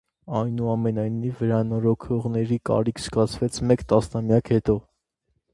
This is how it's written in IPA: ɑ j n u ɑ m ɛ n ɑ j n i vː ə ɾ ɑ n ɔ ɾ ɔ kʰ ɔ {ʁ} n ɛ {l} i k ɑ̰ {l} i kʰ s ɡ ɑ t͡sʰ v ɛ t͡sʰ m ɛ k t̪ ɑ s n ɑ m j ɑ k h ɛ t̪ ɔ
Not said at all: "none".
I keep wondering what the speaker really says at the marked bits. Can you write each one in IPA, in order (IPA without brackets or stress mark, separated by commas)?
ʁ, ɾ, ɾ